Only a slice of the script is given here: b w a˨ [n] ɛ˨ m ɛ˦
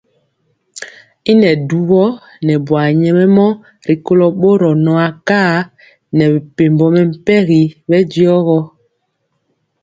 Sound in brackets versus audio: incorrect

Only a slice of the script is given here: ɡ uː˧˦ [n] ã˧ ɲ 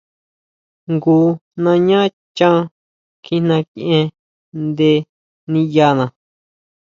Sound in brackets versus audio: correct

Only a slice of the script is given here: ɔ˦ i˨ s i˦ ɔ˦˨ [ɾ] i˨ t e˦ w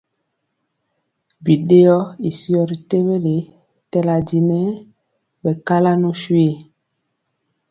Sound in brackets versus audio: correct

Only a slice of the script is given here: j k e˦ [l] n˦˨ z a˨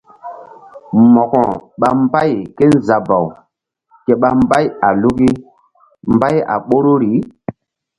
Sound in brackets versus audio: incorrect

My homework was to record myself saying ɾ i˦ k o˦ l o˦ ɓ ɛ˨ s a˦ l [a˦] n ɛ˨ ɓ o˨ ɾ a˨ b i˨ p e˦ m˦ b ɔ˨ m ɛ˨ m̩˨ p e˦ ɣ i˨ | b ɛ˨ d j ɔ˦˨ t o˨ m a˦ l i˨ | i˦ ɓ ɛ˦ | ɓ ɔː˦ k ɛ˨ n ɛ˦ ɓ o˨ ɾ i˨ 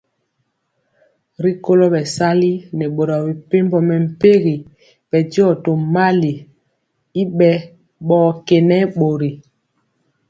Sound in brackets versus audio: incorrect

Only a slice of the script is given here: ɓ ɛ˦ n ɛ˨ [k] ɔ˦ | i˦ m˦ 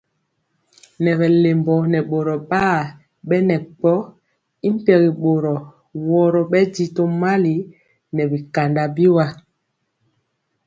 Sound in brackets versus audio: incorrect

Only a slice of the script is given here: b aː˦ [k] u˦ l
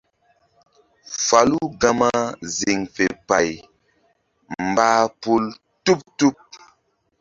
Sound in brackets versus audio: incorrect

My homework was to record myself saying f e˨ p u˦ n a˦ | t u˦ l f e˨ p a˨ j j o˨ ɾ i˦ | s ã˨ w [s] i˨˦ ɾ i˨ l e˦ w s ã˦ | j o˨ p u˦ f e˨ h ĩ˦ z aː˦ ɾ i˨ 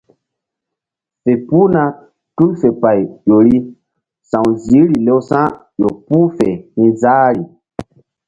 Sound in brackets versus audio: incorrect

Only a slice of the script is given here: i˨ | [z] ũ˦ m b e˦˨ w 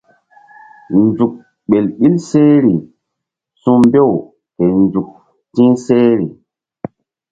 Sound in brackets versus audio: incorrect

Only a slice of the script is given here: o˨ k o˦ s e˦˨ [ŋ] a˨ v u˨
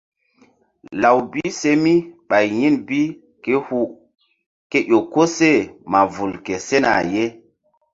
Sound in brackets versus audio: incorrect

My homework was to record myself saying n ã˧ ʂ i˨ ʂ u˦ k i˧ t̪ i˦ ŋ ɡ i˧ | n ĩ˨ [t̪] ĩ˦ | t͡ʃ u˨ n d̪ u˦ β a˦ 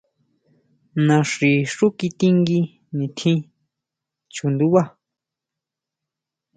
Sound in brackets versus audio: incorrect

